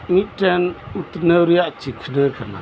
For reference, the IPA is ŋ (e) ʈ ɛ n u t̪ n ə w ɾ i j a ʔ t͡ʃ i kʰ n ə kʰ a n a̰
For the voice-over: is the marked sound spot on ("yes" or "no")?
no